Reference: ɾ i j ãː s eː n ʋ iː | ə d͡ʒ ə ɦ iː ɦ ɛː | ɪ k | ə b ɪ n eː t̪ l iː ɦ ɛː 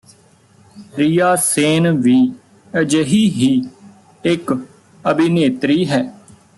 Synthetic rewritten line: ɾ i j aː s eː n ʋ iː | ə d͡ʒ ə ɦ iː ɦ iː | ɪ k | ə b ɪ n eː t̪ ɾ iː ɦ ɛː